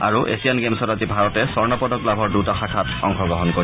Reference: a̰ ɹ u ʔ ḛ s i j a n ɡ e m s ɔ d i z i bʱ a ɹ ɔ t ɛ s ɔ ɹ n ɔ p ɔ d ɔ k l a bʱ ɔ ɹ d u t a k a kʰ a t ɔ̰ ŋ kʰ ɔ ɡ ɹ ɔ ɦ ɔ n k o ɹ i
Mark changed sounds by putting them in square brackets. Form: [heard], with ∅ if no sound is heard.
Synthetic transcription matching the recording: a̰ ɹ u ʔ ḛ s i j a n ɡ e m s ɔ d [a] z i bʱ a ɹ ɔ t ɛ s ɔ ɹ n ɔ p ɔ d ɔ k l a bʱ ɔ ɹ d u t a [x] a kʰ a t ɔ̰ ŋ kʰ ɔ ɡ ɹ ɔ ɦ ɔ n k o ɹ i